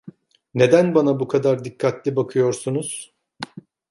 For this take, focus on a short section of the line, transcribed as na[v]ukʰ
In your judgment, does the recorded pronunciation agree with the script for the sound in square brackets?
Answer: no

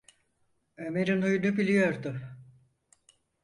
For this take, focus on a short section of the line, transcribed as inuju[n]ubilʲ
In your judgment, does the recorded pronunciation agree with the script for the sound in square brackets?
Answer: yes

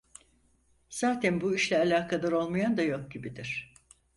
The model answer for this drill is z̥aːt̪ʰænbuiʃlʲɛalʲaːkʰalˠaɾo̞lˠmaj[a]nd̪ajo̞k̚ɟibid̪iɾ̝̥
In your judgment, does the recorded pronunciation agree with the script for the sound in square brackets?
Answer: yes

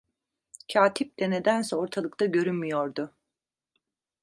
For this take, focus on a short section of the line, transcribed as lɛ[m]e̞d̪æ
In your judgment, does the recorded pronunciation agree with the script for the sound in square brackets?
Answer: no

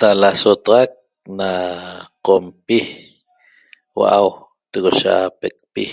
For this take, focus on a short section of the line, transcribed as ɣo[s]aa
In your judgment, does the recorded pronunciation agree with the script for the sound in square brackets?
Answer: no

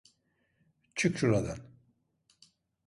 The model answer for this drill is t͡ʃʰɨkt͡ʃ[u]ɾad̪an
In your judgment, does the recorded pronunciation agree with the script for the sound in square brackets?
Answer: yes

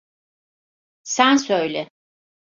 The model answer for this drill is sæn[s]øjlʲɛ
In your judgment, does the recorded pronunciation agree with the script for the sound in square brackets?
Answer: yes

